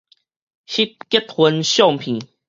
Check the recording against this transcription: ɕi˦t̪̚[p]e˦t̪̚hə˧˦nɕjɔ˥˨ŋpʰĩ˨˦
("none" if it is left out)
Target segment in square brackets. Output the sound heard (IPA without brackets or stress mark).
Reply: k